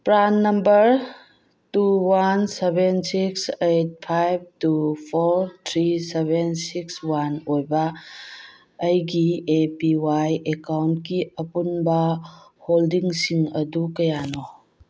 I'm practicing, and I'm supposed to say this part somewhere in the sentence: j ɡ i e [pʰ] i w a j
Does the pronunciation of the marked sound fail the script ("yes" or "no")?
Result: yes